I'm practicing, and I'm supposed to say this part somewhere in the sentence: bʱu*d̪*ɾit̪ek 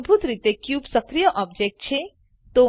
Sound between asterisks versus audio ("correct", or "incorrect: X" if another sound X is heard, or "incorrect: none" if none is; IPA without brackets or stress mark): incorrect: t̪